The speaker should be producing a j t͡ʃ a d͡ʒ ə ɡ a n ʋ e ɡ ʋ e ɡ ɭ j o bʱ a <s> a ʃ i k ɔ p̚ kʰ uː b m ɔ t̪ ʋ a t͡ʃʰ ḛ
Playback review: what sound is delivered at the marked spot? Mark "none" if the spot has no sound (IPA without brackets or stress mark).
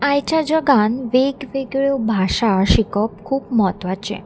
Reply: ʃ